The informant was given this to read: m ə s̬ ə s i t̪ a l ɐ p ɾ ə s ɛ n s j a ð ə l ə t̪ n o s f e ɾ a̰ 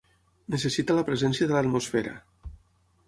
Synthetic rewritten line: n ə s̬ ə s i t̪ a l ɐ p ɾ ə z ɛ n s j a ð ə l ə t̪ m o s f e ɾ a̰